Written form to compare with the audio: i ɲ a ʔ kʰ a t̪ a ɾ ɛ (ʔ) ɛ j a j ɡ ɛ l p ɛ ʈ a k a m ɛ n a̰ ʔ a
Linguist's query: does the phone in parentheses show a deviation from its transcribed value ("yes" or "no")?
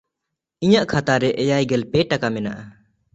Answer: no